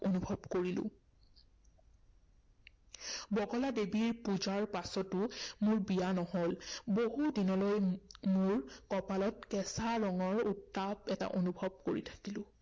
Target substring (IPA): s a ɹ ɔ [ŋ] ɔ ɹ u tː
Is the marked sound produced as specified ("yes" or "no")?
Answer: yes